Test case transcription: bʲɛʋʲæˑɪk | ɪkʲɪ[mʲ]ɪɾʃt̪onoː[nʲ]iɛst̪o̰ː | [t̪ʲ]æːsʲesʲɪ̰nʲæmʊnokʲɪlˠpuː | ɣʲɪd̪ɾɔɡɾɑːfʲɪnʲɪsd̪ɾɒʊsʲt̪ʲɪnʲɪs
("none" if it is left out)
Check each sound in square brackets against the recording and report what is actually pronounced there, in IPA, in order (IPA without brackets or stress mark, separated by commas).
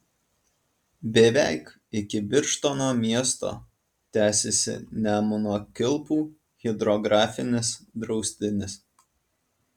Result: bʲ, mʲ, t̪ʲ